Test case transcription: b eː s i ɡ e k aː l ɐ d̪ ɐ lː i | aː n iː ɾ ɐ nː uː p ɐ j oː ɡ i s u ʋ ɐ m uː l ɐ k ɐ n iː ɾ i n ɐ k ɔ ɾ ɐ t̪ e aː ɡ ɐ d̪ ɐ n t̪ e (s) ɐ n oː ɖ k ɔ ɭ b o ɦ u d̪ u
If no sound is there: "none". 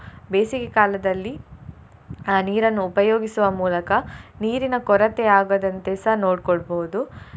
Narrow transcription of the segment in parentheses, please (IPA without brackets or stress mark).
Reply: s